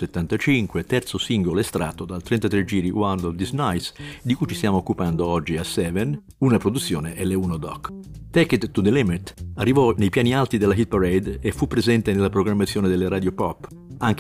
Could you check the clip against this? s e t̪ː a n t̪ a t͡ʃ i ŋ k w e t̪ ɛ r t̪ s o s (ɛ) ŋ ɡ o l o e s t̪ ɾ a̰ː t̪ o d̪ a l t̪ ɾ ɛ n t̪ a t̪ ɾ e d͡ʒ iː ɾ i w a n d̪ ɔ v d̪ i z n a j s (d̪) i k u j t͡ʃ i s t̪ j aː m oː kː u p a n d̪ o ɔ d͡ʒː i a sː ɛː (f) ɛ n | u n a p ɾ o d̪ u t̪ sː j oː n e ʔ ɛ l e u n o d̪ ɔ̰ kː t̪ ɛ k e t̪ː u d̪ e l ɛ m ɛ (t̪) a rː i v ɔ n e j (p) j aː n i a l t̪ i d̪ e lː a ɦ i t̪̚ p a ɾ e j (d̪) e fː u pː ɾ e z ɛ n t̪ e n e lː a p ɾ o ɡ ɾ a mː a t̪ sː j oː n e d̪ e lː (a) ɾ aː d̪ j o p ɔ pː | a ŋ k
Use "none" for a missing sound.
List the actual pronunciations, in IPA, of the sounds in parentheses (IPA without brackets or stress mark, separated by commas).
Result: i, d̪, v, t̪, p, d̪, e